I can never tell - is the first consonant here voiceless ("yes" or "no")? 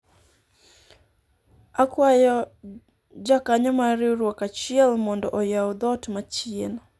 yes